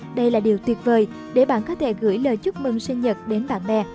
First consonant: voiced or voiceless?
voiced